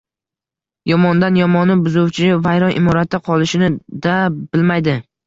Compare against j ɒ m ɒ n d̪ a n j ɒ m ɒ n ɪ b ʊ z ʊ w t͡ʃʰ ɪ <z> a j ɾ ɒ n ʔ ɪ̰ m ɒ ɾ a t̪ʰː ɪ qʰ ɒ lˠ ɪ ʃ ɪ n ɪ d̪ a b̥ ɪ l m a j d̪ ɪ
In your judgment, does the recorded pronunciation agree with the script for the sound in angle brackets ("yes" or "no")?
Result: no